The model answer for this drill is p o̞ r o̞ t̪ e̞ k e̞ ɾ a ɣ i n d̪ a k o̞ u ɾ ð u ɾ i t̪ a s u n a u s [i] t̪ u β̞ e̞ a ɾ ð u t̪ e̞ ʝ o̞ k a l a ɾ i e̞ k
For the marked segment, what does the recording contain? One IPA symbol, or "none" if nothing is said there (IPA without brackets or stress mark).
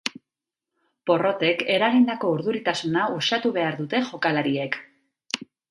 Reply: a